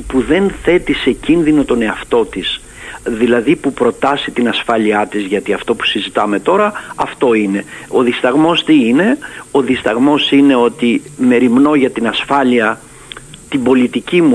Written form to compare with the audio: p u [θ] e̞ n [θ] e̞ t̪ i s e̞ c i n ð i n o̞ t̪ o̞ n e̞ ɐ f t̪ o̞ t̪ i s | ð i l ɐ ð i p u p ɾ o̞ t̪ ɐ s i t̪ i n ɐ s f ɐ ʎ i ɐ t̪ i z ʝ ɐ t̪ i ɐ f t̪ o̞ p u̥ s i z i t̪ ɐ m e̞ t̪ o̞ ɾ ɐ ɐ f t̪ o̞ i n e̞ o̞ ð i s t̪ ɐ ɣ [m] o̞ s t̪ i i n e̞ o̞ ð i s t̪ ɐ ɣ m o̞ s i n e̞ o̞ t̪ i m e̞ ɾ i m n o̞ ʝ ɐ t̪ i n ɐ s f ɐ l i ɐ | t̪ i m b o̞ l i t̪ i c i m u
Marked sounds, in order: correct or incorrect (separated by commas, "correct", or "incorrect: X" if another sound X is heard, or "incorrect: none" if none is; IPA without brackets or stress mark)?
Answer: incorrect: ð, correct, correct